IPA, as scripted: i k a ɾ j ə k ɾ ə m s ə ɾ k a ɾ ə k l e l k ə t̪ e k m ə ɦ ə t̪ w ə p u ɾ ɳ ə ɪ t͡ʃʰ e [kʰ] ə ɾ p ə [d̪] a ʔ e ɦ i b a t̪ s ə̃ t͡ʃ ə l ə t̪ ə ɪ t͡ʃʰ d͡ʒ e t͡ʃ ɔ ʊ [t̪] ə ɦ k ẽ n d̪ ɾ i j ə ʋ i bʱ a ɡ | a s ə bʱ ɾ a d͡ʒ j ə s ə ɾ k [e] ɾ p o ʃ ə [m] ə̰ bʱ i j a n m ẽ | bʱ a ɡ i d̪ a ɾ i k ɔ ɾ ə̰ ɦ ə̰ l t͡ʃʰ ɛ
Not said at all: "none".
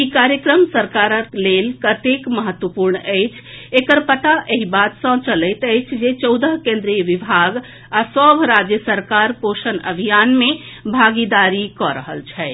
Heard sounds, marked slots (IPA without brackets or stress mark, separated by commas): k, t̪, d̪, a, n